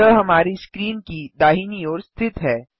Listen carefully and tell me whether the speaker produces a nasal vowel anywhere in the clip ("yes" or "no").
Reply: no